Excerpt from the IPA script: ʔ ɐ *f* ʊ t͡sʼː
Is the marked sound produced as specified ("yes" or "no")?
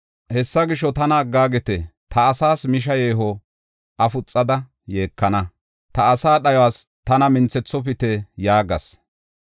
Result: yes